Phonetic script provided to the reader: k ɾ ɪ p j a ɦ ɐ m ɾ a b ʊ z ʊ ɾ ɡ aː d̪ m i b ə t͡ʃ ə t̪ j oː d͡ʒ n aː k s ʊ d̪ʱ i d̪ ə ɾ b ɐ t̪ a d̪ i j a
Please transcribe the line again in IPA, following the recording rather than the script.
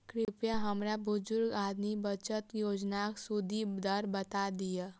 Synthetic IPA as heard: k ɾ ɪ p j a ɦ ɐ m ɾ a b ʊ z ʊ ɾ ɡ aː d̪ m i b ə t͡ʃ ə t̪ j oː d͡ʒ n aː k s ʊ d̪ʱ i d̪ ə ɾ b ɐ t̪ a d̪ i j a